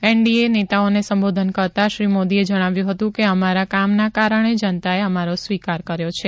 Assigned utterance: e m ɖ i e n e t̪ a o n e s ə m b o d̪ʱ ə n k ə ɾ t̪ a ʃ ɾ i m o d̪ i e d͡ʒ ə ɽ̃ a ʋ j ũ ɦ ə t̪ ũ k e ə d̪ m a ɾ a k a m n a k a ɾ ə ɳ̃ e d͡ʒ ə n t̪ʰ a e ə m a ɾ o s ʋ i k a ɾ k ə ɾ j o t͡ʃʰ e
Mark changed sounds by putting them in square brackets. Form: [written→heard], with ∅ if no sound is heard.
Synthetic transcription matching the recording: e [m→ɳ] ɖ i e n e t̪ a o n e s ə m b o d̪ʱ ə n k ə ɾ t̪ a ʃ ɾ i m o d̪ i e d͡ʒ ə ɽ̃ a ʋ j ũ ɦ ə t̪ ũ k e ə [d̪→∅] m a ɾ a k a m n a k a ɾ ə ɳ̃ e d͡ʒ ə n [t̪ʰ→t̪] a e ə m a ɾ o s ʋ i k a ɾ k ə ɾ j o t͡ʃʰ e